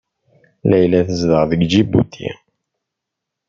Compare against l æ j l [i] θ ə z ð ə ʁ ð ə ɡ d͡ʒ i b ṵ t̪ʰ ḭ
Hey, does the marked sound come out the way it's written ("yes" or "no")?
no